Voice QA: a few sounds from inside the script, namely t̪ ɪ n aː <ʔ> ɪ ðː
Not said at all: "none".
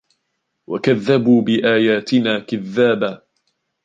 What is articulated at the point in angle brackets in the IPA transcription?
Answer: k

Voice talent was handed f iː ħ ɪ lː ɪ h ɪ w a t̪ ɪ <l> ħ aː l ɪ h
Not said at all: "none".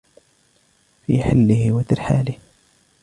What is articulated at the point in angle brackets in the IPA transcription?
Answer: ɾ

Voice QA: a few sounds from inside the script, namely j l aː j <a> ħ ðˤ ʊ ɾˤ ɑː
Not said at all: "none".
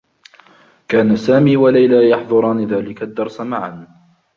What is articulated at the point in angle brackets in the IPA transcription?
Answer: ɑ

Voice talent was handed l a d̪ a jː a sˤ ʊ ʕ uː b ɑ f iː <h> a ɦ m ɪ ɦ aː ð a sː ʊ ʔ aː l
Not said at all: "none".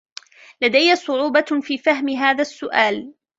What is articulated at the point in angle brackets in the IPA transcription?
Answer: f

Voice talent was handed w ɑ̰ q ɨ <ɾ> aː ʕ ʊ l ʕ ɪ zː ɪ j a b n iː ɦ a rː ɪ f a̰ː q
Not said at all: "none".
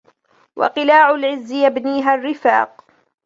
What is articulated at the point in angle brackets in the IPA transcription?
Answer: l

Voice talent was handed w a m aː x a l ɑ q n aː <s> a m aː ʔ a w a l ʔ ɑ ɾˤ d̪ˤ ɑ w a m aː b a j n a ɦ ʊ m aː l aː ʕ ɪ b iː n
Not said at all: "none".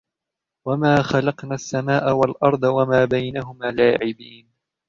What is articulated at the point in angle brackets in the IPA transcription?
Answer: sː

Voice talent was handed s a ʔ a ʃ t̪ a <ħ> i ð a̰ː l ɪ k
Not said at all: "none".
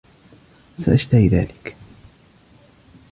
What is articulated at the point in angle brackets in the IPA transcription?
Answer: h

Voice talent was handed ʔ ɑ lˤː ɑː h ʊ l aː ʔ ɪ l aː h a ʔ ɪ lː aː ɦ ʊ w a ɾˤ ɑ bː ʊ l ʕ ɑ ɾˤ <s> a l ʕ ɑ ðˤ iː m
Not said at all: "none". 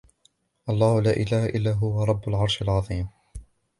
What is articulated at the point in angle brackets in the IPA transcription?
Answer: ʃ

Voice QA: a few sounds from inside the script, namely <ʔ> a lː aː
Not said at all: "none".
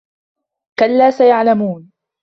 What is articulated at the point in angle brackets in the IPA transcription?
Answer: k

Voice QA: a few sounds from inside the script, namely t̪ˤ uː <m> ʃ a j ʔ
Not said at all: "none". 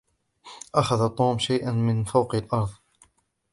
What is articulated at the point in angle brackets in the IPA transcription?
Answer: m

